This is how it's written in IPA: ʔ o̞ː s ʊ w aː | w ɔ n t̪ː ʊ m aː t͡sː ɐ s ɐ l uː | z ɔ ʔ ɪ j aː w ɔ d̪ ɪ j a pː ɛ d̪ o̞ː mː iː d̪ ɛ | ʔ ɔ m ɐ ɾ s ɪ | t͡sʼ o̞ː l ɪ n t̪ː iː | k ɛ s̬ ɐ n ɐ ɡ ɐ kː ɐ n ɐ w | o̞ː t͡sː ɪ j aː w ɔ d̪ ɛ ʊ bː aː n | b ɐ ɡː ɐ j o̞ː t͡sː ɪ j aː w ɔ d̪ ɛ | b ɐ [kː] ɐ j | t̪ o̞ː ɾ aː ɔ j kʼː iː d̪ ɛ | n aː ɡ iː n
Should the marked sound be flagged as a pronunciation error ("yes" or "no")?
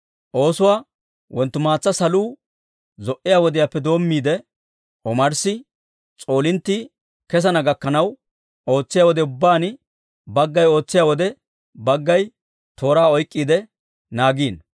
yes